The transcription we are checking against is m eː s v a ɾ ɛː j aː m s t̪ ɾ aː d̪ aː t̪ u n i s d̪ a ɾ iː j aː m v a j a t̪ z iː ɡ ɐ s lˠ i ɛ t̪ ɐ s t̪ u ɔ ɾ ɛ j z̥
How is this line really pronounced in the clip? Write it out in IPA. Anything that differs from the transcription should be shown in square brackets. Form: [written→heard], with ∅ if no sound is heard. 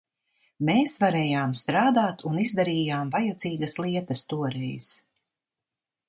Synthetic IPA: m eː s v a ɾ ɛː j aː m s t̪ ɾ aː d̪ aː t̪ u n i [s→z] d̪ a ɾ iː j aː m v a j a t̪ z iː ɡ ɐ s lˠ i ɛ t̪ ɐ s t̪ u ɔ ɾ ɛ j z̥

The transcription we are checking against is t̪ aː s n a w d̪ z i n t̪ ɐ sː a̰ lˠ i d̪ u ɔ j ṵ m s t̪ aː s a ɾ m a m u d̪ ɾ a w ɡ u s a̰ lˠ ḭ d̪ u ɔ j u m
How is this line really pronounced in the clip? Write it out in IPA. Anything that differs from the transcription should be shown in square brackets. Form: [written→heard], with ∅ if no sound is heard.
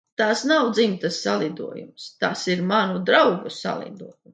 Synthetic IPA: t̪ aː s n a w d̪ z i [n→m] t̪ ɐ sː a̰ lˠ i d̪ u ɔ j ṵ m s t̪ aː s [a→i] ɾ m a [m→n] u d̪ ɾ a w ɡ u s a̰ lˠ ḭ d̪ u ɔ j u m

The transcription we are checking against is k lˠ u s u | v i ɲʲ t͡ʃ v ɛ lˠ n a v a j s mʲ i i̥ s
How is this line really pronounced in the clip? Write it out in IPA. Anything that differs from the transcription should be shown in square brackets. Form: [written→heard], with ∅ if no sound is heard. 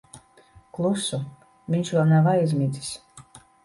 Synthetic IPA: k lˠ u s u | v i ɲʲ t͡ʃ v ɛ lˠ n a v a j [s→z] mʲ i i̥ s

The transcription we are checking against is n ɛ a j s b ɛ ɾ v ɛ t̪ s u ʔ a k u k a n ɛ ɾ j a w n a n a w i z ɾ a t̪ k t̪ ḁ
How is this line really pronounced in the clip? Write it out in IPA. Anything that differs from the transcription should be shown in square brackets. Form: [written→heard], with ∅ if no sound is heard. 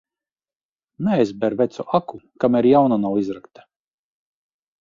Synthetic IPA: n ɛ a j [s→z] b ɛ ɾ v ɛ t̪ s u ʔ a k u k a [n→m] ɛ ɾ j a w n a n a w i z ɾ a [t̪→∅] k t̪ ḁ

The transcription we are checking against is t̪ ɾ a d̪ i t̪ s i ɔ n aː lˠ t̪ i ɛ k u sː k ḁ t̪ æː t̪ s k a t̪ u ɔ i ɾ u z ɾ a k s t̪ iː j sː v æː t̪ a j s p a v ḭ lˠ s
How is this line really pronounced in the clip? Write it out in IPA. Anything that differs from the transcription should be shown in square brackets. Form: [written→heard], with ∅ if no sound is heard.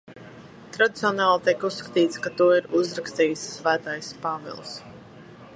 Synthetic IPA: t̪ ɾ a d̪ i t̪ s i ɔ n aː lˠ t̪ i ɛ k u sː k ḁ t̪ [æː→iː] t̪ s k a t̪ u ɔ i ɾ u z ɾ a k s t̪ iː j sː v æː t̪ a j s p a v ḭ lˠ s

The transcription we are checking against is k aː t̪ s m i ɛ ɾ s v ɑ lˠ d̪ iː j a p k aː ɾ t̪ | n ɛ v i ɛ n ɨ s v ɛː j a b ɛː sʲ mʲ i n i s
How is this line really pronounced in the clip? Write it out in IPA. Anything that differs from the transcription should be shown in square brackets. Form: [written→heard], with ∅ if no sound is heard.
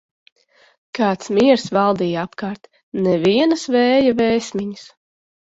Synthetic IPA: k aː t̪ s m i ɛ ɾ s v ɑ lˠ d̪ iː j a p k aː ɾ t̪ | n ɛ v i ɛ n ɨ s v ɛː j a [b→v] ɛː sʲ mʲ i [n→ɲ] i s

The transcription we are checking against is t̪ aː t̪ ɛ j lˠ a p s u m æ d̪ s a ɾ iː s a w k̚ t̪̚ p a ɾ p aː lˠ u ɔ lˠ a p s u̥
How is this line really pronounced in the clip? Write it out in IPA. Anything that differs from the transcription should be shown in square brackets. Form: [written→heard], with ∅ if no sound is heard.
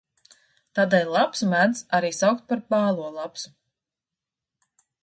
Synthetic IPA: t̪ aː [t̪→d̪] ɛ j lˠ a p s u m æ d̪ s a ɾ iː s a w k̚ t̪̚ p a ɾ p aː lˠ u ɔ lˠ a p s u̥

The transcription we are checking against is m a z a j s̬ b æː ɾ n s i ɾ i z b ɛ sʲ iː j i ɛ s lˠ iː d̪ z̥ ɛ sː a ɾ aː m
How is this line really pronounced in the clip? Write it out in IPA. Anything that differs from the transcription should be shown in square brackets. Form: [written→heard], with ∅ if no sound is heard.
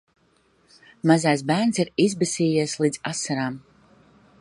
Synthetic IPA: m a z a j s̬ b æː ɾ n s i ɾ i z b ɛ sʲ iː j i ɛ s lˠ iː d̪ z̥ [ɛ→a] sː a ɾ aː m

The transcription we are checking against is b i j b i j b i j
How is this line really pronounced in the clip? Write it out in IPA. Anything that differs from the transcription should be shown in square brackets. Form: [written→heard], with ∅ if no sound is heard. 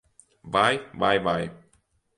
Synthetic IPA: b [i→a] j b [i→a] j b [i→a] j

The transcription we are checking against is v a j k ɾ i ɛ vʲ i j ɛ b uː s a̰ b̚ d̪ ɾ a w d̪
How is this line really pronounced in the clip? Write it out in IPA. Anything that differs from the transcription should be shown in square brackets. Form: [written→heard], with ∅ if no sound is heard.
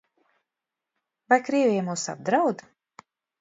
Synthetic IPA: v a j k ɾ i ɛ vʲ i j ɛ [b→m] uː s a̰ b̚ d̪ ɾ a w d̪

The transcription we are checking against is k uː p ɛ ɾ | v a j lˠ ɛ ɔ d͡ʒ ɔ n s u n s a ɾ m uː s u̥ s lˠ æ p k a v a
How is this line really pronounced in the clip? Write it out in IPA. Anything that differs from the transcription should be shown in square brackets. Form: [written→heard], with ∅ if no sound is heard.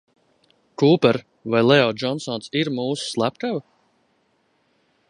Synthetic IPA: k uː p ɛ ɾ | v a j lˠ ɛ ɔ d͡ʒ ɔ n s [u→ɔ] n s [a→i] ɾ m uː s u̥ s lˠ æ p k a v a

